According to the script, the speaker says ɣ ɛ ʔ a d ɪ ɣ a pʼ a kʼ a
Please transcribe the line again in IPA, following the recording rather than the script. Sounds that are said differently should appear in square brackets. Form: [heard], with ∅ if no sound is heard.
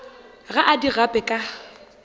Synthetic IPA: ɣ [a] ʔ a d [i] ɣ a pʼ [ɛ] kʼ a